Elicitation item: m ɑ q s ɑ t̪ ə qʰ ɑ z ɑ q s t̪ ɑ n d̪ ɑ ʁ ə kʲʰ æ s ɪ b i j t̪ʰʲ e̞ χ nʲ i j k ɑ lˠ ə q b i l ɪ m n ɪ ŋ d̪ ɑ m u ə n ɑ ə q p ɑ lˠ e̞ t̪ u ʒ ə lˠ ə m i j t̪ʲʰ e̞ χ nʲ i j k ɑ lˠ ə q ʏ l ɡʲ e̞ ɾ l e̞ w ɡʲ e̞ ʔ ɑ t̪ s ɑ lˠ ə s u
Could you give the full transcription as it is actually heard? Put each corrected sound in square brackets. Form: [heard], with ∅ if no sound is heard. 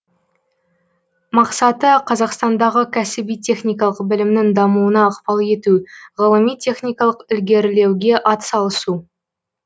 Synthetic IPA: m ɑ q s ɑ t̪ ə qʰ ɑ z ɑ q s t̪ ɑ n d̪ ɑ ʁ ə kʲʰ æ s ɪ b i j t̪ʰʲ e̞ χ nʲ i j k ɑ lˠ ə q b [ɪ] l ɪ m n ɪ ŋ d̪ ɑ m u ə n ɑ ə q p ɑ lˠ e̞ t̪ u [ʁ] ə lˠ ə m i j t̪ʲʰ e̞ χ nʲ i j k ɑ lˠ ə q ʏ l ɡʲ e̞ ɾ l e̞ w ɡʲ e̞ ʔ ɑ t̪ s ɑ lˠ ə s u